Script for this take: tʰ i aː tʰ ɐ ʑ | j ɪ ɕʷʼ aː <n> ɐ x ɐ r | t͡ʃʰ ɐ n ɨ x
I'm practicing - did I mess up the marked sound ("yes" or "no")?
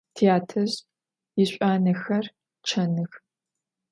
no